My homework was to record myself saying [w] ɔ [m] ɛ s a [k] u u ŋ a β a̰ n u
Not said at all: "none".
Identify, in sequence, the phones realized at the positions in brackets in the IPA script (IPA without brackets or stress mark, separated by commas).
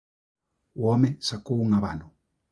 w, m, k